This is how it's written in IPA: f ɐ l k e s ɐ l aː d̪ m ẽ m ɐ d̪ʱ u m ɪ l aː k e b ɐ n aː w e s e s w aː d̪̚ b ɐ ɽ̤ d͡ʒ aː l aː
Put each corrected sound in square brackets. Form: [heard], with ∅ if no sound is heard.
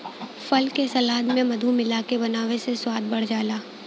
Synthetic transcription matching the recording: f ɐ l k e s ɐ l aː d̪ m ẽ m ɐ d̪ʱ u m ɪ l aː k e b ɐ n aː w e s e s w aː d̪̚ b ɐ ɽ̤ d͡ʒ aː l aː